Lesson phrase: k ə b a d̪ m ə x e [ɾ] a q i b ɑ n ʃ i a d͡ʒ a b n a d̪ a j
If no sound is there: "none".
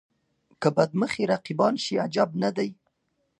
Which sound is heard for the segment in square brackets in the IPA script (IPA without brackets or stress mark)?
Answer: ɾ